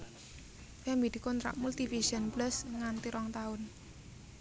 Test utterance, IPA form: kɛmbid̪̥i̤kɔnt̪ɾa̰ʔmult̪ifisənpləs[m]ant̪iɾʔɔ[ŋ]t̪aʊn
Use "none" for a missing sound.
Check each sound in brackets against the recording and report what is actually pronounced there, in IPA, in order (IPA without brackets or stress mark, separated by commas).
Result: ŋ, ŋ